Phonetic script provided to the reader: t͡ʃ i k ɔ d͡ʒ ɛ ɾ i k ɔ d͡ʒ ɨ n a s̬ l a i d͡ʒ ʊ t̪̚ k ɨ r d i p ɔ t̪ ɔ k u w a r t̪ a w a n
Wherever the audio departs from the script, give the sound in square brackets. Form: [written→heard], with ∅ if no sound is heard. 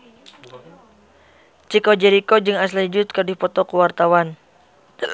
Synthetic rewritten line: t͡ʃ i k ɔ d͡ʒ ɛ ɾ i k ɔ d͡ʒ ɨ [n→ŋ] a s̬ l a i d͡ʒ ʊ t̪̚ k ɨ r d i p ɔ t̪ ɔ k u w a r t̪ a w a n

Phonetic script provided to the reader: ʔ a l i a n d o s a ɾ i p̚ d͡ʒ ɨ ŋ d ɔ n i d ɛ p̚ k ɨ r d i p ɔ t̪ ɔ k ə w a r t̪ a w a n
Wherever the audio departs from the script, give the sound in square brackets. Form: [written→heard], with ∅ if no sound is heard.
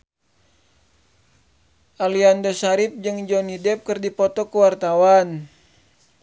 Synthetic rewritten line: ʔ a l i a n d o s a ɾ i p̚ d͡ʒ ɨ ŋ [d→d͡ʒ] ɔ n i d ɛ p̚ k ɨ r d i p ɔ t̪ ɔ k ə w a r t̪ a w a n

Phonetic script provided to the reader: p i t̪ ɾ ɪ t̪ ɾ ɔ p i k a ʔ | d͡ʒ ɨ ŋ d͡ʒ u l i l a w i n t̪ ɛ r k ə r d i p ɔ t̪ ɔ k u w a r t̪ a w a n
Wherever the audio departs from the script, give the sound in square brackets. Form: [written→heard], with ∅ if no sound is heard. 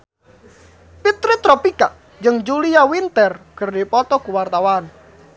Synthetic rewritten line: p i t̪ ɾ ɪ t̪ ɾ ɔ p i k a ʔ | d͡ʒ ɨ ŋ d͡ʒ u l i [l→∅] a w i n t̪ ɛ r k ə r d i p ɔ t̪ ɔ k u w a r t̪ a w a n

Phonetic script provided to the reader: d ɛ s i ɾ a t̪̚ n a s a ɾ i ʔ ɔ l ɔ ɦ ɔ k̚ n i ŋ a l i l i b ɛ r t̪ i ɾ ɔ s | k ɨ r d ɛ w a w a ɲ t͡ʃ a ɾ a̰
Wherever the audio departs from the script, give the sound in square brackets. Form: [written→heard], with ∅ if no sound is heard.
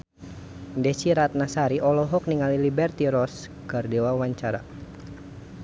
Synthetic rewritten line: d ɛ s i ɾ a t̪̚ n a s a ɾ i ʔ ɔ l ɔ ɦ ɔ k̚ n i ŋ a l i l i b ɛ r t̪ i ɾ ɔ s | k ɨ r d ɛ w a w a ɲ t͡ʃ a ɾ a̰

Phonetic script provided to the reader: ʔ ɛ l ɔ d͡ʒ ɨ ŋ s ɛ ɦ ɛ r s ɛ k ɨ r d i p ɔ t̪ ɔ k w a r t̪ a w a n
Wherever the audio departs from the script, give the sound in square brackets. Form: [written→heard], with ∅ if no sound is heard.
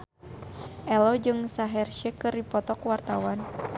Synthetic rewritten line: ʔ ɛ l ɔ d͡ʒ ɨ ŋ s [ɛ→a] ɦ ɛ r [s→ʃ] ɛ k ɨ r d i p ɔ t̪ ɔ k w a r t̪ a w a n

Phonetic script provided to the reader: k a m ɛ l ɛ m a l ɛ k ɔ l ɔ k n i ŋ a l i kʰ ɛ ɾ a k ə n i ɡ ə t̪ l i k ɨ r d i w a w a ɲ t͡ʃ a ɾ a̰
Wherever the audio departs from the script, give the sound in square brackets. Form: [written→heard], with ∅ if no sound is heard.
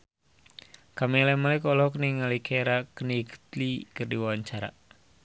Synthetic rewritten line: k a m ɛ l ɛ m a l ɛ k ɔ l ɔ k n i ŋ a l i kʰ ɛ ɾ a k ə n i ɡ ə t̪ l i k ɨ r d i w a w a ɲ t͡ʃ a ɾ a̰

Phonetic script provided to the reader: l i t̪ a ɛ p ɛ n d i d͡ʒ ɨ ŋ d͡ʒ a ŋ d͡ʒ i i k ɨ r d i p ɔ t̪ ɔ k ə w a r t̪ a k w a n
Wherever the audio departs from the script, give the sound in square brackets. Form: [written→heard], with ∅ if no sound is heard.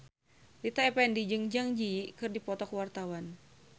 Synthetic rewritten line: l i t̪ a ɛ p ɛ n d i d͡ʒ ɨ ŋ d͡ʒ a ŋ d͡ʒ i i k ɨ r d i p ɔ t̪ ɔ k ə w a r t̪ a [k→∅] w a n

